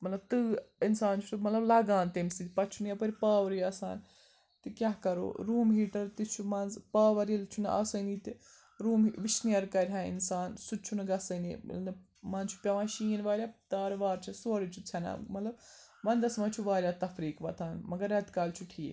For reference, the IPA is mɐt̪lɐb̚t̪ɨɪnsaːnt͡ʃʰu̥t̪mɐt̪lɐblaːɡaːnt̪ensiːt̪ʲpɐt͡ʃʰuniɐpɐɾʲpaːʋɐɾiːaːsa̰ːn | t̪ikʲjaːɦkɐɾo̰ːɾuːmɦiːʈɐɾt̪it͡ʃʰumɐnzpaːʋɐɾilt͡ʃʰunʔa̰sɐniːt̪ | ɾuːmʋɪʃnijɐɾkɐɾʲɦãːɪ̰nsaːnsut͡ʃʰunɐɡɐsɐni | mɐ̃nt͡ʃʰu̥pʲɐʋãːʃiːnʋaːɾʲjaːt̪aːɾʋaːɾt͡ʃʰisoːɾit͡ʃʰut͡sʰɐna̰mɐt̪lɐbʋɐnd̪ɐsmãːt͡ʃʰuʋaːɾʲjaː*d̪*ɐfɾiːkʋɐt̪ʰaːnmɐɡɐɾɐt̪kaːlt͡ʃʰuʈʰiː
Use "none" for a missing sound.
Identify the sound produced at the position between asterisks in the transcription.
t̪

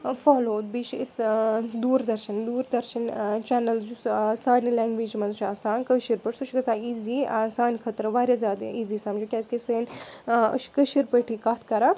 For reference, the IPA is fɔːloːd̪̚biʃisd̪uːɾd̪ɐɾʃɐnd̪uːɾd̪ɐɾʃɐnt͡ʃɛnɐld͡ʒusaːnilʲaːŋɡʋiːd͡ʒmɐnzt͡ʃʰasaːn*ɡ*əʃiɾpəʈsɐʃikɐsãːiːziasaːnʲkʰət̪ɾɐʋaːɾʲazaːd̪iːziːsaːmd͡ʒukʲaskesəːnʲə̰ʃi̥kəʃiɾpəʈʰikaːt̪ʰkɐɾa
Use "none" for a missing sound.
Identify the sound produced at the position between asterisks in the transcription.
k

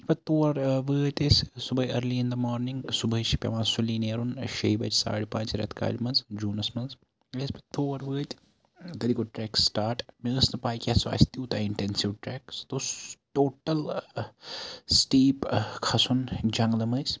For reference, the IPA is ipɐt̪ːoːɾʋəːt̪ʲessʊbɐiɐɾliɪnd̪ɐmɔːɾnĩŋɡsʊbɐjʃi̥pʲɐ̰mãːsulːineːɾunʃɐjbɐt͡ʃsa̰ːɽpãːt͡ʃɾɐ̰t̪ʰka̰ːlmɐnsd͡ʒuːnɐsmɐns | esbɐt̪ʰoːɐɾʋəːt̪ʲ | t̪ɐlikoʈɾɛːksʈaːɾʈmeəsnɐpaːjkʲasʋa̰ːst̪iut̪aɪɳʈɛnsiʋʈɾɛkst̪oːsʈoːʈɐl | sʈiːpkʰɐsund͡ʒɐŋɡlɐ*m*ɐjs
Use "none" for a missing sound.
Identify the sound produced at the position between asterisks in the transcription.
m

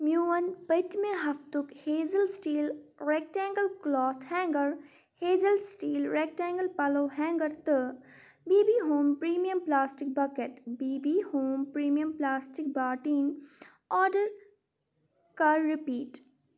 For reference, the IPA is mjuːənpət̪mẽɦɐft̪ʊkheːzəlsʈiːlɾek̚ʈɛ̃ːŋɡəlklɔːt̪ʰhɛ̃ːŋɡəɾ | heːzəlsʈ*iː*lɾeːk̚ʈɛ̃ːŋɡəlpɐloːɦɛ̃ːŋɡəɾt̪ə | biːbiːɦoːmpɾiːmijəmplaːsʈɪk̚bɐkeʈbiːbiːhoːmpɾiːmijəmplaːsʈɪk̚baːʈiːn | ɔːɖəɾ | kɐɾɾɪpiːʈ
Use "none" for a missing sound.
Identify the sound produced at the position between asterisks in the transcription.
iː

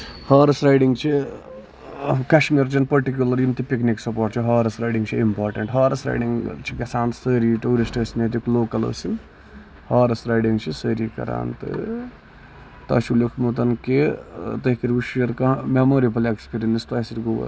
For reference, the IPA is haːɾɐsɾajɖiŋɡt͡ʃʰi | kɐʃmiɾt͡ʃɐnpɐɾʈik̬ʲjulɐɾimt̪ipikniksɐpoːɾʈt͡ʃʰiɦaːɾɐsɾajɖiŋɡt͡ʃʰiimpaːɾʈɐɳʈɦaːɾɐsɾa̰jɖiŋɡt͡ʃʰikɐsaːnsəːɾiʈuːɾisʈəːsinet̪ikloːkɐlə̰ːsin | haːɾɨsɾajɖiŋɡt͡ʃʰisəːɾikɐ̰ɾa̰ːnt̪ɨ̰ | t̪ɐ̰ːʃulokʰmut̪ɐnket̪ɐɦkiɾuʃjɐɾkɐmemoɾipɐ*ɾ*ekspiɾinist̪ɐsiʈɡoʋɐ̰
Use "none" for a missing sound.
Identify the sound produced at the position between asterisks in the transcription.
l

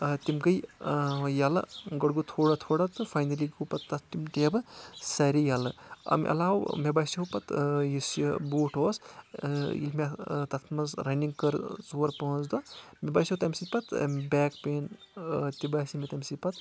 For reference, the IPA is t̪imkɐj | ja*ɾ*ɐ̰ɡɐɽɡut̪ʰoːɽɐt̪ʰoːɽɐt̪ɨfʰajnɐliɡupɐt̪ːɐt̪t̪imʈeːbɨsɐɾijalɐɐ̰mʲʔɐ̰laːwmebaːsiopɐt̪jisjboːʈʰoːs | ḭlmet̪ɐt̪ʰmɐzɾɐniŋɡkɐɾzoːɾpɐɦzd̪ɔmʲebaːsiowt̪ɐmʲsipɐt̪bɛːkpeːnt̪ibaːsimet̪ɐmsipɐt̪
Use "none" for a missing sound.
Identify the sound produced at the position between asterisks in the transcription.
l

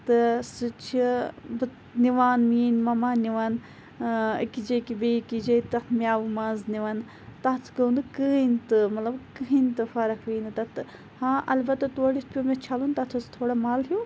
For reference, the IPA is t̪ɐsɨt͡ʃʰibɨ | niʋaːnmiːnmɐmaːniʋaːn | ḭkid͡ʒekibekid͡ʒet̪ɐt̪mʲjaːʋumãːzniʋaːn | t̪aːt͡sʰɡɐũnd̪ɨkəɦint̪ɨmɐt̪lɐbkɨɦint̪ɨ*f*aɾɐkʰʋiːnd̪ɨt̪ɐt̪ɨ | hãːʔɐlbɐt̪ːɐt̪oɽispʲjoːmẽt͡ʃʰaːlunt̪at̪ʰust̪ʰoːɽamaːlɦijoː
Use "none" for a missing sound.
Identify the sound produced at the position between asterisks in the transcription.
f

